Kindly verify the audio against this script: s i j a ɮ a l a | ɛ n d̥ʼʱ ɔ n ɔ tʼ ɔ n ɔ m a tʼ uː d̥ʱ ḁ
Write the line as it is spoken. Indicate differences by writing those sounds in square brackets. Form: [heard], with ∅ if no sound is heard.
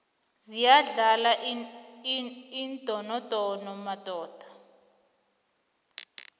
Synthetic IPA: [z] i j a ɮ a l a | [i] n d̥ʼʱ ɔ n ɔ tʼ ɔ n ɔ m a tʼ [ɔː] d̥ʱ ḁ